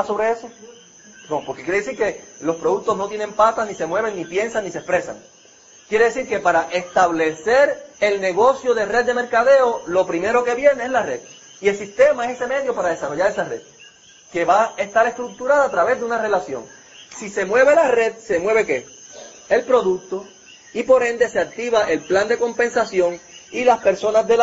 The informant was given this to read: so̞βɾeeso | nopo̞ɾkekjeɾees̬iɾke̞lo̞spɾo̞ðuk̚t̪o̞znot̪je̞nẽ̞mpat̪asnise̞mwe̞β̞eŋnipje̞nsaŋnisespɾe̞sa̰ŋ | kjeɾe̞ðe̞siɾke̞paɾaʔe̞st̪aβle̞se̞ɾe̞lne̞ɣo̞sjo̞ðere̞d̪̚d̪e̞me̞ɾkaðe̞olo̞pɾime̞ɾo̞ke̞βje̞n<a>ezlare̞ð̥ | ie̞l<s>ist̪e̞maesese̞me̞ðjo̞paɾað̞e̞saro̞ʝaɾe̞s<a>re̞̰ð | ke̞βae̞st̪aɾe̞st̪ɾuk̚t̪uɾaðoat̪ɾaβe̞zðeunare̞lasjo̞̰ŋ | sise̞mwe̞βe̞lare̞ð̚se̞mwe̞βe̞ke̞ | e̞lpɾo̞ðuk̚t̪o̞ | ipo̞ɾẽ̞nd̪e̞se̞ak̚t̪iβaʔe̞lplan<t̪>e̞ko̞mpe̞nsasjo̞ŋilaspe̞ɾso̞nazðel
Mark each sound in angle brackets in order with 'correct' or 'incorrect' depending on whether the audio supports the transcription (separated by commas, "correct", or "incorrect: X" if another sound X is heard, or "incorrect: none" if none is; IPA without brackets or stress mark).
incorrect: e, correct, correct, incorrect: d̪